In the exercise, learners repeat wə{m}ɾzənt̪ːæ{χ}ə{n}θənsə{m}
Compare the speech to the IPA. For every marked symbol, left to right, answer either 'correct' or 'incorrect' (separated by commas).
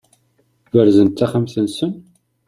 incorrect, correct, incorrect, incorrect